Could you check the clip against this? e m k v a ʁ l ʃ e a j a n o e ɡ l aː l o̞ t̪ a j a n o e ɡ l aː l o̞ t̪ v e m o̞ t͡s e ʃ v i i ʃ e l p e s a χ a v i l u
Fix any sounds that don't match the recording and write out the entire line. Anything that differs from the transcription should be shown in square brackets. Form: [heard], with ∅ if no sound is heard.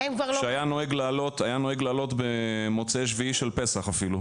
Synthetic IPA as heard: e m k v a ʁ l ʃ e a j a n o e ɡ l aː l o̞ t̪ a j a n o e ɡ l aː l o̞ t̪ [b] e m o̞ t͡s e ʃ v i i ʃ e l p e s a χ a [f] i l u

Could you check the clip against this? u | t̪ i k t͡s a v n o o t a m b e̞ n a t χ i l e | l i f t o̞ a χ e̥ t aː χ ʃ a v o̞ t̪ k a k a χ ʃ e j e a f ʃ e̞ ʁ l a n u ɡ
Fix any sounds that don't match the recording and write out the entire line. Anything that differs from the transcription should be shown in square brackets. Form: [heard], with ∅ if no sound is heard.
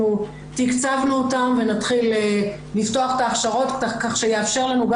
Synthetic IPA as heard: u | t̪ i k t͡s a v n [u] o t a m [v] e̞ n a t χ i l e | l i f t o̞ a χ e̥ t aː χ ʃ a [ʁ] o̞ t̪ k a k a χ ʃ e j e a f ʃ e̞ ʁ l a n u ɡ

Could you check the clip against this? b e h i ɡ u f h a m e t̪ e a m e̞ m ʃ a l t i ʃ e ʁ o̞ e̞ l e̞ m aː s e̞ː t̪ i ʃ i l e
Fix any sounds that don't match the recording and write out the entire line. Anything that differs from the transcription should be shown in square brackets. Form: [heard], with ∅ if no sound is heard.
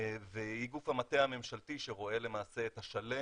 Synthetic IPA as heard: [v] e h i ɡ u f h a m [a] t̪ e a m e̞ m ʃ a l t i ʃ e ʁ o̞ e̞ l e̞ m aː s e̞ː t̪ [a] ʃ [a] l e

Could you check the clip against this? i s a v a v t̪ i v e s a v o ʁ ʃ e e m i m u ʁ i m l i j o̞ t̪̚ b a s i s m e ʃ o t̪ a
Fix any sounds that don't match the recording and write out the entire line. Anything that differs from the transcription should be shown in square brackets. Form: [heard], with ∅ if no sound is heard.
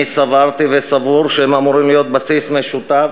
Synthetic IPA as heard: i s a v a [ʁ] t̪ i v e s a v [u] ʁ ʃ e e m [a] m u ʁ i m l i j o̞ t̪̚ b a s i s m e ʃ [u] t̪ a

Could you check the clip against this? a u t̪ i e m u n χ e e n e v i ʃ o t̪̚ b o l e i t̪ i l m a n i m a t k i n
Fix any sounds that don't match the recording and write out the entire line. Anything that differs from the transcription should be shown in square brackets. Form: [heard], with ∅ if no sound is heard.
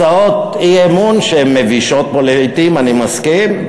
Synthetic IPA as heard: a [o] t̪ i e m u n [ʃ] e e [m] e v i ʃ o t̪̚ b o l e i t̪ i [∅] m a n i m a [s] k i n

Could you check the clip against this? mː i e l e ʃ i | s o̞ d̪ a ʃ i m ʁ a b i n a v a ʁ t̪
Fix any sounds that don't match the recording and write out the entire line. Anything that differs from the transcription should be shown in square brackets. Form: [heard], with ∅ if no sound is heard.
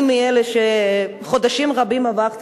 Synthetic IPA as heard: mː i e l e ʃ [e] | [χ] o̞ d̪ a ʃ i m ʁ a b i [m] a v a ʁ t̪

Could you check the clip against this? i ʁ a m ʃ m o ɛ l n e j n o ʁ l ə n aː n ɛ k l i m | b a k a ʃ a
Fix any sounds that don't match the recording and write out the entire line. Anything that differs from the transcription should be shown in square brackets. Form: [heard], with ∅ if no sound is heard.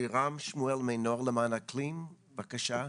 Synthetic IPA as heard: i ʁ a m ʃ m [u] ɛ l [m] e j n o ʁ l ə [m] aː n [a] k l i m | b a k a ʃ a

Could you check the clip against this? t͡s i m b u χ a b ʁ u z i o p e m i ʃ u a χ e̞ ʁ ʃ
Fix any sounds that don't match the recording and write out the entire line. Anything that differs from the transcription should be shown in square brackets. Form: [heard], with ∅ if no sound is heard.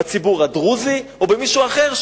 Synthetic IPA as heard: t͡s i [∅] b u [ʁ] a [d] ʁ u z i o [b] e m i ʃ u a χ e̞ ʁ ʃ

